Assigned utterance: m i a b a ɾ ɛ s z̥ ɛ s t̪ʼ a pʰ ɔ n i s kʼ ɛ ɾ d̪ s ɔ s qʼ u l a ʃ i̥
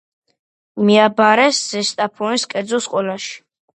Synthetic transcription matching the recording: m i a b a ɾ ɛ s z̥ ɛ s t̪ʼ a pʰ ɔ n i s kʼ ɛ ɾ d̪ z ɔ s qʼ ɔ l a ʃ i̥